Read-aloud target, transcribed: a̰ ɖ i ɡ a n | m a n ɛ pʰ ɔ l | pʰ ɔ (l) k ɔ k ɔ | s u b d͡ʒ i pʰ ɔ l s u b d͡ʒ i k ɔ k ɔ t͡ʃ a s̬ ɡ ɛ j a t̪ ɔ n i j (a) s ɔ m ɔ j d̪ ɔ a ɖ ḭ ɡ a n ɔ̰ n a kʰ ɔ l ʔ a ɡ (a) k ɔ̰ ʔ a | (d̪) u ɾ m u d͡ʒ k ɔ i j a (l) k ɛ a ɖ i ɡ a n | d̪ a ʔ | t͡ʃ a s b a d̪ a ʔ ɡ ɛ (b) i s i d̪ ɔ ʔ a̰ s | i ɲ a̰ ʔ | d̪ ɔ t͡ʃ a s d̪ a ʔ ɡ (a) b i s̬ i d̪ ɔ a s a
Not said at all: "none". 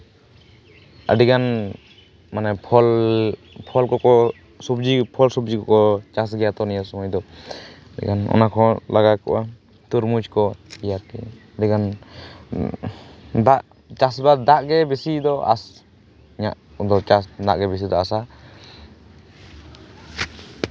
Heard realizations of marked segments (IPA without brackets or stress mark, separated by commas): l, a, a, t̪, ɾ, b, ɛ